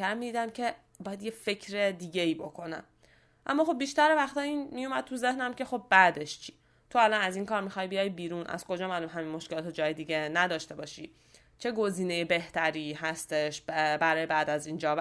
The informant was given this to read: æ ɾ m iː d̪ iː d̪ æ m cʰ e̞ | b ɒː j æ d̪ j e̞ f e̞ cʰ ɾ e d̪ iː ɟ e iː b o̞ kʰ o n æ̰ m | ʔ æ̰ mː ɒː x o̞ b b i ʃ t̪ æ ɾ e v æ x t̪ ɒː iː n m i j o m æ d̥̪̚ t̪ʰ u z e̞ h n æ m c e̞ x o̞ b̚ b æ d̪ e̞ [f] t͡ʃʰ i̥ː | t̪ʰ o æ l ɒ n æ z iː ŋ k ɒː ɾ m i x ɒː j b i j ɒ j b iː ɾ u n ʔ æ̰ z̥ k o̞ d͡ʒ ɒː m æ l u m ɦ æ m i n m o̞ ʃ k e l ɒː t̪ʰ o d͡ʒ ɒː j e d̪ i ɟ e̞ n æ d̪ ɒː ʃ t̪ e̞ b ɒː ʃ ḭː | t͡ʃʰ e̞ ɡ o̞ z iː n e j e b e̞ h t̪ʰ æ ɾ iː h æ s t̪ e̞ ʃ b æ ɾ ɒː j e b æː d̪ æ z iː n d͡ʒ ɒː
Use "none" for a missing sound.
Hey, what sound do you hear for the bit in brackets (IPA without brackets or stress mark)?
ʃ